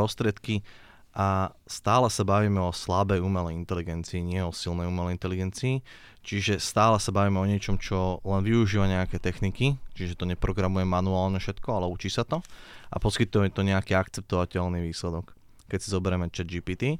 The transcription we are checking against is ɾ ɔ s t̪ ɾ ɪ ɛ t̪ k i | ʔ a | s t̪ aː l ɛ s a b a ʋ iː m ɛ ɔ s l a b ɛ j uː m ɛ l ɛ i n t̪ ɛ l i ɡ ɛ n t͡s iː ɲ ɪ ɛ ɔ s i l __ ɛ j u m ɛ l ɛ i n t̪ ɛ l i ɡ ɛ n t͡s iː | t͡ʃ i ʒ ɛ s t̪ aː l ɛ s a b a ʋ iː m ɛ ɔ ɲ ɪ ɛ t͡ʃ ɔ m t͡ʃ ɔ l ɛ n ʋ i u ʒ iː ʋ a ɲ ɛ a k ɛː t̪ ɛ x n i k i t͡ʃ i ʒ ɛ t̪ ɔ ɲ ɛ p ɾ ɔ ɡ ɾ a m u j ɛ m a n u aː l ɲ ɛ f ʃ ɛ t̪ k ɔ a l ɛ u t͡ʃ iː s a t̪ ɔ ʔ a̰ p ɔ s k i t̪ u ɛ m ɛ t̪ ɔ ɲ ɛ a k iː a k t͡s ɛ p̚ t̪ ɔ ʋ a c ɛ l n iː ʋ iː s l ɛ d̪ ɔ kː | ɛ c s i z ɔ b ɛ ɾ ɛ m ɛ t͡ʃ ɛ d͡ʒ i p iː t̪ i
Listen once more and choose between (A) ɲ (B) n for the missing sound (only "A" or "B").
B